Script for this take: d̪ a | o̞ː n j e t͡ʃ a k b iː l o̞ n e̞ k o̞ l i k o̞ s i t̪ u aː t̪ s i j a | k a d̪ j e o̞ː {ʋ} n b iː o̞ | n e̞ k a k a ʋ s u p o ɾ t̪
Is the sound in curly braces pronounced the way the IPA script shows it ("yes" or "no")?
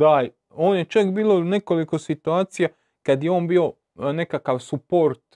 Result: no